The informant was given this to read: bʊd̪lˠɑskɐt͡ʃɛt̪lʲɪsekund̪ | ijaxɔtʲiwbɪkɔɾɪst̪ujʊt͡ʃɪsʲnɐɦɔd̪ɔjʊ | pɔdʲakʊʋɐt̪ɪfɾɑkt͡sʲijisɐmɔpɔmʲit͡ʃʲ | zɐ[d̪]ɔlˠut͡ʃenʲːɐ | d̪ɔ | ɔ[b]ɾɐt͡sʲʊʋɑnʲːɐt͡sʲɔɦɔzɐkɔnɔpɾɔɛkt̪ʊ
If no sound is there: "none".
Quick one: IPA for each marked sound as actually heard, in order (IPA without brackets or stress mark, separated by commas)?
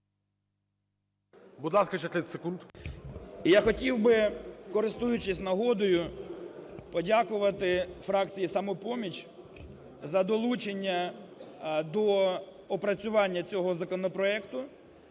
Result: d̪, p